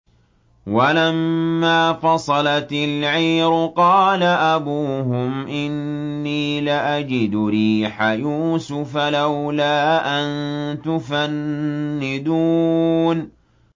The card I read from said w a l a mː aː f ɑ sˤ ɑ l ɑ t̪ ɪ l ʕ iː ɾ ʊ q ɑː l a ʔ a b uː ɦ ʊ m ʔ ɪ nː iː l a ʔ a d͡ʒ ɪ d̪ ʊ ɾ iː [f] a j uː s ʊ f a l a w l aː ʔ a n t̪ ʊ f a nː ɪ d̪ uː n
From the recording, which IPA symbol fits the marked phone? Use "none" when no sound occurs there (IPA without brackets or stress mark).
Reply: ħ